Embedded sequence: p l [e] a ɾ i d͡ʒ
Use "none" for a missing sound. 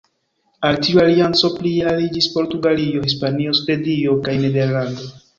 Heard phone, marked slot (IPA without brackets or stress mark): i